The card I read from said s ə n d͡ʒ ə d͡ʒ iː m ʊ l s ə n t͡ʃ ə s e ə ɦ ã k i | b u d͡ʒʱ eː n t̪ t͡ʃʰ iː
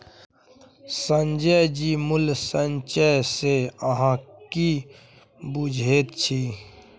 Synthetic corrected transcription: s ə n d͡ʒ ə d͡ʒ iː m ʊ l s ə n t͡ʃ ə s e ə ɦ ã k i | b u d͡ʒʱ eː t̪ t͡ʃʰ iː